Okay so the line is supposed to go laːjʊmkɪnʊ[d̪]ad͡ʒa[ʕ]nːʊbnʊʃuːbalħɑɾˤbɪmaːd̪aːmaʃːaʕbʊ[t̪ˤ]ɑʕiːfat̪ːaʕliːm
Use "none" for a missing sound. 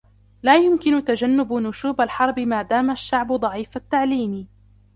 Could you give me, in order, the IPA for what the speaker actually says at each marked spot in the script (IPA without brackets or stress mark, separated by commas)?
t̪, none, d̪ˤ